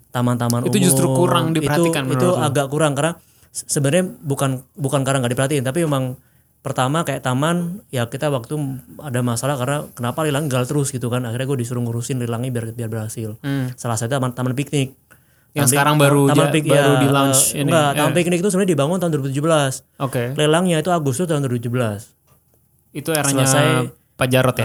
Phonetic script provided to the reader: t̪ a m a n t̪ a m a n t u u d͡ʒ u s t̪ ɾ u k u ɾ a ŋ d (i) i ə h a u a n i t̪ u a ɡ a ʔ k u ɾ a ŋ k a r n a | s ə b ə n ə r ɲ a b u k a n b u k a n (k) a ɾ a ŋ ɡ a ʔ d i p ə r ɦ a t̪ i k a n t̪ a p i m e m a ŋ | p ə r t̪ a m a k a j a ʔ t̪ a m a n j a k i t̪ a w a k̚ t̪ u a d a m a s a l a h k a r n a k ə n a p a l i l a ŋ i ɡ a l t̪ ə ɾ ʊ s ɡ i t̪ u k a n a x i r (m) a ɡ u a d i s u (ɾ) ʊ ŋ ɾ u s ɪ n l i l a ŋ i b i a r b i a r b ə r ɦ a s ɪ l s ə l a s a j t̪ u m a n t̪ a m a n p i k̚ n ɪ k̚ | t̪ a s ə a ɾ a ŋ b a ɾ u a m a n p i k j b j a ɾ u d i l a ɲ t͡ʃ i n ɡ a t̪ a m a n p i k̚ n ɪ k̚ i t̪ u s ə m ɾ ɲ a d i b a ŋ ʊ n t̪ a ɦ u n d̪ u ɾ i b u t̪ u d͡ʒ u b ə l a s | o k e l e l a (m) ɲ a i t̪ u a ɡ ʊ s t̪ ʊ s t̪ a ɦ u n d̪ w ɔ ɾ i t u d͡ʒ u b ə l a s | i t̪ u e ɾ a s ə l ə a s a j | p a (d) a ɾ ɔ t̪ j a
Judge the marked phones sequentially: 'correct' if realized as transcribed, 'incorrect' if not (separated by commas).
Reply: correct, correct, incorrect, correct, incorrect, incorrect